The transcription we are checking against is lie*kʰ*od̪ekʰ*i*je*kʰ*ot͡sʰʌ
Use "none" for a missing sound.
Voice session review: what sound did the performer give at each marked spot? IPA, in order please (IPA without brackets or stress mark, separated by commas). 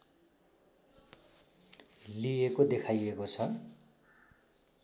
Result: k, a, k